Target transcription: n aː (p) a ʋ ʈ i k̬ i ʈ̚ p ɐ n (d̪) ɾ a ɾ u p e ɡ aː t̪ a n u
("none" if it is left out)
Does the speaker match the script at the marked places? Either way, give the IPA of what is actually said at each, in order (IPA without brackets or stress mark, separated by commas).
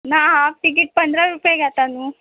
none, d̪